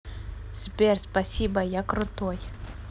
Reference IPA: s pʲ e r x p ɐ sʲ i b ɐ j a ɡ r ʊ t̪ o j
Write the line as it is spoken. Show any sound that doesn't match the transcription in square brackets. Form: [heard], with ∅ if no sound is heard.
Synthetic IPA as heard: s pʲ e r [s] p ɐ sʲ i b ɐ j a [k] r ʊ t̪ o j